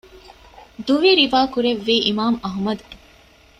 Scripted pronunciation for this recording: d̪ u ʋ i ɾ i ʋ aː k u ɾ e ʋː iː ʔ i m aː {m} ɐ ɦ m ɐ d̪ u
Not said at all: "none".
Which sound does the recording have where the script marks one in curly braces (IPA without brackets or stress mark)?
m